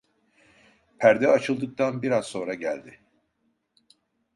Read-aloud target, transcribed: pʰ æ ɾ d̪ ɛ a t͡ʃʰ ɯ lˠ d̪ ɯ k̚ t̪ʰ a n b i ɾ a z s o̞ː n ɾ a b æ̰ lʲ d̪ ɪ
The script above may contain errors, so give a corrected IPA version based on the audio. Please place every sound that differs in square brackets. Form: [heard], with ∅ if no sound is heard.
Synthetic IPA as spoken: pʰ æ ɾ d̪ ɛ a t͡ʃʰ ɯ lˠ d̪ ɯ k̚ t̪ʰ a n b i ɾ a z s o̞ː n ɾ a [ɟ] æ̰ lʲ d̪ ɪ